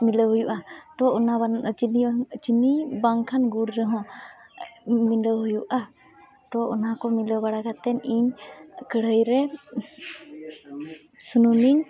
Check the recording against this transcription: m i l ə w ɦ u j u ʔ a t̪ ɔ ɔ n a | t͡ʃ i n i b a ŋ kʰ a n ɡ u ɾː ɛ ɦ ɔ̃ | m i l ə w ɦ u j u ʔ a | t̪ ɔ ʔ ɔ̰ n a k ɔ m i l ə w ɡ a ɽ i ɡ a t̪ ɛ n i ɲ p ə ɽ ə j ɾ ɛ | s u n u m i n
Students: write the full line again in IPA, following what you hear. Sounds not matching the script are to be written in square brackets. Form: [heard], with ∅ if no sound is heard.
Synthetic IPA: m i l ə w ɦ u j u ʔ a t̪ ɔ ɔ n a | t͡ʃ i n i b a ŋ kʰ a n ɡ u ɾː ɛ ɦ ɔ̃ | m i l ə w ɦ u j u ʔ a | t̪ ɔ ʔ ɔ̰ n a k ɔ m i l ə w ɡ a ɽ [a] ɡ a t̪ ɛ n i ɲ [k] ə ɽ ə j ɾ ɛ | s u n u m i [ɲ]